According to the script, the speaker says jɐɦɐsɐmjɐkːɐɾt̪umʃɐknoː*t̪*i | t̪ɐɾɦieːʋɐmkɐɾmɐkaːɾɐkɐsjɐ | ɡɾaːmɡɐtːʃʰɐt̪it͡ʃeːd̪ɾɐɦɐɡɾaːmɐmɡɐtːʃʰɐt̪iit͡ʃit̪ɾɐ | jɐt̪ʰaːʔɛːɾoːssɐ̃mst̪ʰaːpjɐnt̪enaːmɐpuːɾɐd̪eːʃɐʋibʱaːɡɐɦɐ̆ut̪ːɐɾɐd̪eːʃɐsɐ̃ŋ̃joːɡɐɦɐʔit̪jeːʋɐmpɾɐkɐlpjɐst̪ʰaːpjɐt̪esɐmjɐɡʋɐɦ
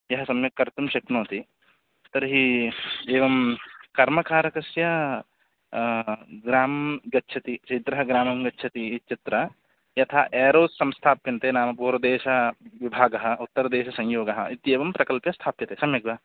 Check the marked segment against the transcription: correct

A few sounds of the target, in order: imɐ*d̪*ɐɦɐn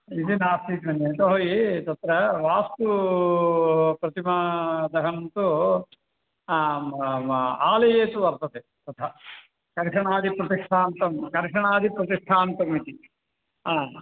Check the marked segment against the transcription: correct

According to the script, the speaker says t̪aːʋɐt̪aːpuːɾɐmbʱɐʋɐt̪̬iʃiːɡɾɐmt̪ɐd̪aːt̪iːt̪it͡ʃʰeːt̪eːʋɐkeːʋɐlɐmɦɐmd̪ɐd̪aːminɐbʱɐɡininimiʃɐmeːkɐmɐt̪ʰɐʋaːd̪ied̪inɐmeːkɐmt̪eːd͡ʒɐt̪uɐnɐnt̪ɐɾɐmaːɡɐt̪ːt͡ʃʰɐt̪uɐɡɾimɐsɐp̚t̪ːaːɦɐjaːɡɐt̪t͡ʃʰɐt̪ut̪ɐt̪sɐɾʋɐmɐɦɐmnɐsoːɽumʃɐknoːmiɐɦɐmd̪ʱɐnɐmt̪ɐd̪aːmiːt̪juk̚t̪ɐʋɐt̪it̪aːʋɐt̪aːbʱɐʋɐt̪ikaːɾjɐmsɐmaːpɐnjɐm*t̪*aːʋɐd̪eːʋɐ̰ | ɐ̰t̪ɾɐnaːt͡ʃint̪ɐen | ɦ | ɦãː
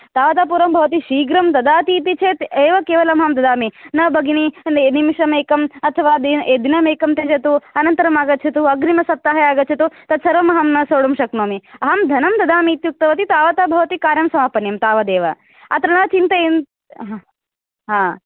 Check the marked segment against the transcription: correct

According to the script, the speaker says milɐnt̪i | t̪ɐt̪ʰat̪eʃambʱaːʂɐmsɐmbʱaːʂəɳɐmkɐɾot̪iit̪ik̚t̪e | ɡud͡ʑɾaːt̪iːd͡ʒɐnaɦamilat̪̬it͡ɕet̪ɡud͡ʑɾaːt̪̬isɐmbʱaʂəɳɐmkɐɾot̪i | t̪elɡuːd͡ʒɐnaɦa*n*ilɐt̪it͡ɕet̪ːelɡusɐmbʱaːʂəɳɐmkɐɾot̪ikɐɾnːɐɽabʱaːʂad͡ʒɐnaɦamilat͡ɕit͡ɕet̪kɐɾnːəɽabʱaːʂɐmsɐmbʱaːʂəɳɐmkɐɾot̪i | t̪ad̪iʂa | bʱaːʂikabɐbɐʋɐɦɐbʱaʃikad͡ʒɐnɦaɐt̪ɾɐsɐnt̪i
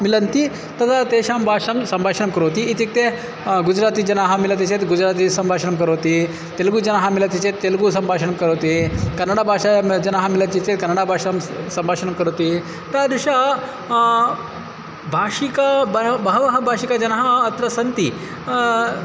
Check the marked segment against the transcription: incorrect: m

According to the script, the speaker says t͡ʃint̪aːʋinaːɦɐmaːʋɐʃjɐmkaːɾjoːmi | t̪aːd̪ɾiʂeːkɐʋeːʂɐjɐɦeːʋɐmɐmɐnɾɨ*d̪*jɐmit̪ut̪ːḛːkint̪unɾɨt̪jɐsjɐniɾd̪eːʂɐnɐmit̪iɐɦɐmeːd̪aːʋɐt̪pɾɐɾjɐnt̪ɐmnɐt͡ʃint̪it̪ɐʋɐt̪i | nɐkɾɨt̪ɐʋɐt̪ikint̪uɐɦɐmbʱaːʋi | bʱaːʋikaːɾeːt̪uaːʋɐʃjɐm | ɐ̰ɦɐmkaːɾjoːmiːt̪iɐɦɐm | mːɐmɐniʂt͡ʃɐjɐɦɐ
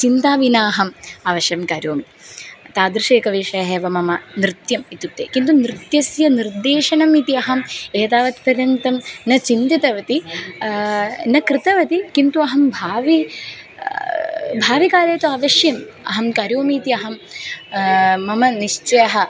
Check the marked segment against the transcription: incorrect: t̪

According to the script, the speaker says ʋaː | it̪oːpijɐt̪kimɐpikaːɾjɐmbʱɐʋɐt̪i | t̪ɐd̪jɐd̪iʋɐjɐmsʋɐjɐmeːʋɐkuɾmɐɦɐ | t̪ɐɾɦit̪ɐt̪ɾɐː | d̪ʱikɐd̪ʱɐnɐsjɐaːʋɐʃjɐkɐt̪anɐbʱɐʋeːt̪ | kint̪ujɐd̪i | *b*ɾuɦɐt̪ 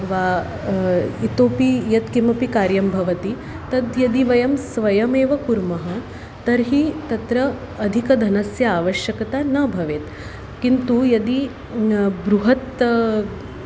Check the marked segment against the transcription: correct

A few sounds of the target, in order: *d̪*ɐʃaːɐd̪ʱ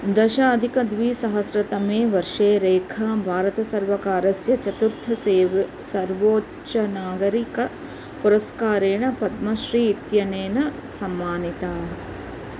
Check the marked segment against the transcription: correct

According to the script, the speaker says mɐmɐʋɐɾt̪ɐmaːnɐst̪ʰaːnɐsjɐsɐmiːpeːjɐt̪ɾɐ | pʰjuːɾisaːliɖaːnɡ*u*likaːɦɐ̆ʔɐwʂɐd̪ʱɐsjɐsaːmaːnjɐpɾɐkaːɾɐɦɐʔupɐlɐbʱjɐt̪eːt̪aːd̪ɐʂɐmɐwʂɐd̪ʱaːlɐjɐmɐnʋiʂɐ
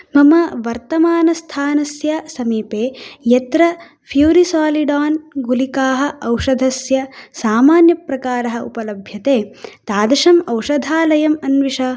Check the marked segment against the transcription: correct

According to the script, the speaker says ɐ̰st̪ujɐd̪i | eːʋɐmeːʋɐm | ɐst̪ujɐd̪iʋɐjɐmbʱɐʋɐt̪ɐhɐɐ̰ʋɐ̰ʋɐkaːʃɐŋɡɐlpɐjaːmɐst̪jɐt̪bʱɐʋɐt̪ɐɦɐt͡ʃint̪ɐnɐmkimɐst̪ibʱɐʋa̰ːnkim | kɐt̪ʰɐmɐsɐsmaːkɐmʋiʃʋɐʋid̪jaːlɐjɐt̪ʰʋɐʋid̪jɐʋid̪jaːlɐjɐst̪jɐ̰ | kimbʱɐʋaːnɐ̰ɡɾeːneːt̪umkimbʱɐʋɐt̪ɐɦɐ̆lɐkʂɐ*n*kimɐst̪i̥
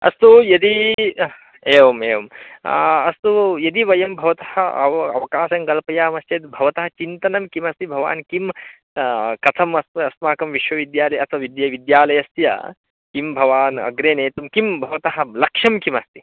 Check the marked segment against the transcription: incorrect: m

